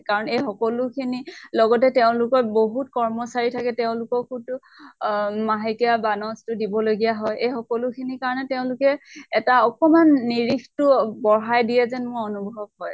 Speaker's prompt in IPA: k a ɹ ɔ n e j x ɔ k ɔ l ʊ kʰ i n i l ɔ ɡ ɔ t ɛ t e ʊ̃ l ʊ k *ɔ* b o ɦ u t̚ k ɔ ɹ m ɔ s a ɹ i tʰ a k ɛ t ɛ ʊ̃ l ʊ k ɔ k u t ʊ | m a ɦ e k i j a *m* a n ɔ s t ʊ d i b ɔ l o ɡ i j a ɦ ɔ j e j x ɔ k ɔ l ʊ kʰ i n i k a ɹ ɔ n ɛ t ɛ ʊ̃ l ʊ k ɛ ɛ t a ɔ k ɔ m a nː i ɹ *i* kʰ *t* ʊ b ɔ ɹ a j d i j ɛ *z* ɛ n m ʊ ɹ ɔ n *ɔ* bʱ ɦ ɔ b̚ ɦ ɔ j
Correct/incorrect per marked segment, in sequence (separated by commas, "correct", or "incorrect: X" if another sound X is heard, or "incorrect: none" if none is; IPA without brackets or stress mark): correct, incorrect: b, correct, correct, correct, incorrect: u